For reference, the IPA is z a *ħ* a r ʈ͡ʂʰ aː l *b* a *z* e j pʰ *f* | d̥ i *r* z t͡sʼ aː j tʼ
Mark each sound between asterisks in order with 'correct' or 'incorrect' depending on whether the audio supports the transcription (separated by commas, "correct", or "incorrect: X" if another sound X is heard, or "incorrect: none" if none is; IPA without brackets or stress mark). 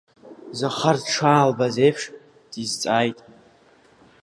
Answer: incorrect: χ, correct, correct, incorrect: ʂ, incorrect: none